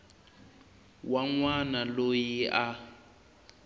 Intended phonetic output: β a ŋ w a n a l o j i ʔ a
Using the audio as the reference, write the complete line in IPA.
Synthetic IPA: w a ŋ w a n a l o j i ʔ a